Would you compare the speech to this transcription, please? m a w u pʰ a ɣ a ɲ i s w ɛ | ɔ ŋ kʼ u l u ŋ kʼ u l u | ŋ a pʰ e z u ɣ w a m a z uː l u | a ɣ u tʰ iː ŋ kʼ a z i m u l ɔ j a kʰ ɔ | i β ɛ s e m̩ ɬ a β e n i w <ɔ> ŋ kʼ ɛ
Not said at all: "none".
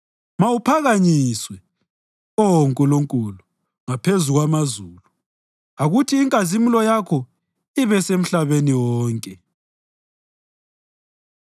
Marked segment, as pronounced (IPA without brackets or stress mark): ɔː